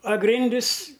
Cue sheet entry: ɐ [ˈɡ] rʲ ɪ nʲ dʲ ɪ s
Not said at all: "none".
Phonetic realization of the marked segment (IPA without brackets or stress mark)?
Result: ɡ